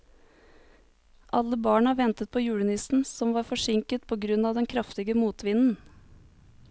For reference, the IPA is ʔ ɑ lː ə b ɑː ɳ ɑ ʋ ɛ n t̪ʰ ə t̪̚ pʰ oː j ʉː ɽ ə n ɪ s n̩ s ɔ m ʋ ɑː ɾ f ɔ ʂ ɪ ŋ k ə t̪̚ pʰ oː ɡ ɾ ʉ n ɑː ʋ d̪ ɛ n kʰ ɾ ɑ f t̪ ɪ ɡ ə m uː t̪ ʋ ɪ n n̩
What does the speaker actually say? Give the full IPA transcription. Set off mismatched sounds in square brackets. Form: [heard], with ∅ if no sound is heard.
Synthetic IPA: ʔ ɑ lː ə b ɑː ɳ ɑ ʋ ɛ n [t̪] ə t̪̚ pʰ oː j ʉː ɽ ə n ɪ s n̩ s ɔ m ʋ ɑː ɾ f ɔ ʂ ɪ ŋ k ə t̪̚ pʰ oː ɡ ɾ ʉ n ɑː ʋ d̪ ɛ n kʰ ɾ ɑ f t̪ ɪ ɡ ə m uː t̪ ʋ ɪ n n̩